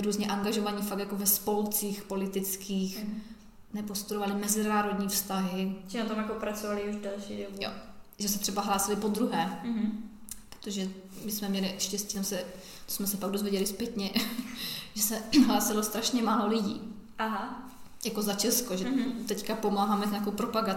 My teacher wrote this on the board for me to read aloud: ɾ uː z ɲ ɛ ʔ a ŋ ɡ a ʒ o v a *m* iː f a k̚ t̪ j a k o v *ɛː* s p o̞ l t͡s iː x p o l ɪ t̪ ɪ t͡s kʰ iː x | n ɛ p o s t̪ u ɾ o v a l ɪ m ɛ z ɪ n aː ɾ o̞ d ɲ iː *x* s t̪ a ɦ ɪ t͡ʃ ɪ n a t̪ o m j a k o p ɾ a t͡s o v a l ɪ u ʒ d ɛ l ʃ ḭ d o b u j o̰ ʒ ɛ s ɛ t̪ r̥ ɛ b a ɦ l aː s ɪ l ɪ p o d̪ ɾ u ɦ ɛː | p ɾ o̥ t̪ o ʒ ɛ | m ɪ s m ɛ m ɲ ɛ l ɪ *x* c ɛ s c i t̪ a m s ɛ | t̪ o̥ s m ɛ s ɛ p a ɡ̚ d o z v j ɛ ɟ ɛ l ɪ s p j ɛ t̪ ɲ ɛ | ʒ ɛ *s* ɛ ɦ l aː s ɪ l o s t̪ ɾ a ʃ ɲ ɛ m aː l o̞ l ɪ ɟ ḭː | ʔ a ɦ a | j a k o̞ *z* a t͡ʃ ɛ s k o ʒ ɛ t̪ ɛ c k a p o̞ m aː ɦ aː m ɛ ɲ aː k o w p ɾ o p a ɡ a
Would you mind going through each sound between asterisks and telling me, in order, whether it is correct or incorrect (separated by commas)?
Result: incorrect, incorrect, incorrect, incorrect, correct, correct